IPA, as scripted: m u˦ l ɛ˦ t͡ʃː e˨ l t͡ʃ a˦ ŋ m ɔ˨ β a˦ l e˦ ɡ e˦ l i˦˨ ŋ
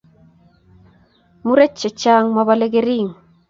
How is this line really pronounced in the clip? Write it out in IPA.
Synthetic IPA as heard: m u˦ ɾ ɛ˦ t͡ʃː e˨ t͡ʃ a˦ ŋ m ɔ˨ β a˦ l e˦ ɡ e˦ ɾ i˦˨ ŋ